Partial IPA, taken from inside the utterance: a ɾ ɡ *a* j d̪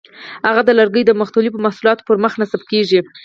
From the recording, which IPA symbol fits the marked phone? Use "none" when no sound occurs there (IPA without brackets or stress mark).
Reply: ə